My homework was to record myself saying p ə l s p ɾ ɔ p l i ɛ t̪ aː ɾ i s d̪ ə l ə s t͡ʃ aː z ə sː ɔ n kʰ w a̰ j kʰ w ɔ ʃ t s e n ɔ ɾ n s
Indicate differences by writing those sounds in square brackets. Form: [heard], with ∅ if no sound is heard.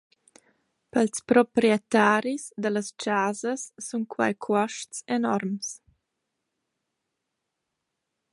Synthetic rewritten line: p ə l s p ɾ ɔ p [ɾ] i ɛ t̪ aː ɾ i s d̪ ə l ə s t͡ʃ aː z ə sː [u] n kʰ w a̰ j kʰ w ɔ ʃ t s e n ɔ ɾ [m] s